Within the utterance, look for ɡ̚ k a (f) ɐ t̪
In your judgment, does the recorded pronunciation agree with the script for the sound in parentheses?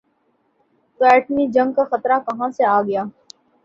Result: no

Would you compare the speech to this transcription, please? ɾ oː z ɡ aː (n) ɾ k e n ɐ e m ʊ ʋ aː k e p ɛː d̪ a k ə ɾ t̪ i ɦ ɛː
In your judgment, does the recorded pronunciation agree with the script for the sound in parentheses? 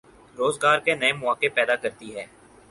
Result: no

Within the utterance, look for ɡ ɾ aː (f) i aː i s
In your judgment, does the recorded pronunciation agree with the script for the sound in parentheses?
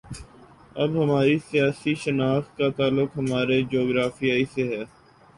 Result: yes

